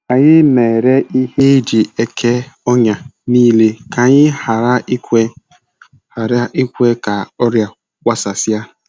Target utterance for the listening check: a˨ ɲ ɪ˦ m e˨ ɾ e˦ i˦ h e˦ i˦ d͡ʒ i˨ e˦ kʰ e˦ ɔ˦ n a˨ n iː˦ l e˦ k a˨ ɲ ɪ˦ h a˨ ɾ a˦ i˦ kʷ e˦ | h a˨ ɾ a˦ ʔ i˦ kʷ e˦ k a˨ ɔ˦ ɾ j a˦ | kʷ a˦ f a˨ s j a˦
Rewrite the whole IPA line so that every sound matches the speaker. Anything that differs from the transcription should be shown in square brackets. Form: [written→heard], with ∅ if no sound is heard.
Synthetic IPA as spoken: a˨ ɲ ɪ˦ m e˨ ɾ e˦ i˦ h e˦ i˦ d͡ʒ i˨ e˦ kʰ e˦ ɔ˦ [n→ɲ] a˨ n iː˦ l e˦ k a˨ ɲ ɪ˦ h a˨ ɾ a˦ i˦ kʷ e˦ | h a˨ ɾ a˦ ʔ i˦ kʷ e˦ k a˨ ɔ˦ ɾ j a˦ | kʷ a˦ [f→s] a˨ s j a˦